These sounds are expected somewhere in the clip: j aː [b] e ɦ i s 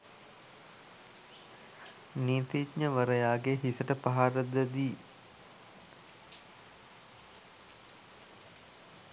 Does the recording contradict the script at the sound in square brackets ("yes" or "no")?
yes